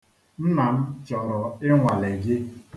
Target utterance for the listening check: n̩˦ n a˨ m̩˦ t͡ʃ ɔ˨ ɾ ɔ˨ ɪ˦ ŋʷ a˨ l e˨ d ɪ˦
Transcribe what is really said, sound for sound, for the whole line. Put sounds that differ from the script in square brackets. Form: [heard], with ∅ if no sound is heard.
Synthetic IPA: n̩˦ n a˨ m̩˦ t͡ʃ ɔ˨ ɾ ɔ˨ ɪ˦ ŋʷ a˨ l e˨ [ɡ] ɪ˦